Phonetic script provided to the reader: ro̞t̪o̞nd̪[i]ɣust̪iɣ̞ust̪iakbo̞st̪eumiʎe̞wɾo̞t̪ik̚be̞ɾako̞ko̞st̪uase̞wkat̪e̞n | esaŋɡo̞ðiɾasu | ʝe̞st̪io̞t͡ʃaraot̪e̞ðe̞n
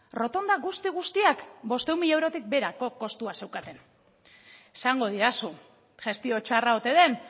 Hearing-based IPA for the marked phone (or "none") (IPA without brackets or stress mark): a